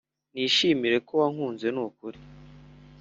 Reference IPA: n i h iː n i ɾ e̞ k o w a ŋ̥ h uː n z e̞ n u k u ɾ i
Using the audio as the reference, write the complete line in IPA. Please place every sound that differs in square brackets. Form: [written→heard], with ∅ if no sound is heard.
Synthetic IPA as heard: n i [h→ʃ] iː [n→m] i ɾ e̞ k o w a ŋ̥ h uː n z e̞ n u k u ɾ i